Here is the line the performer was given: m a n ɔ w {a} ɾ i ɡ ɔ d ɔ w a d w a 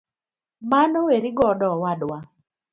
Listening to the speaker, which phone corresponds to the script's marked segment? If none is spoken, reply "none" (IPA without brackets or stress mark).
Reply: e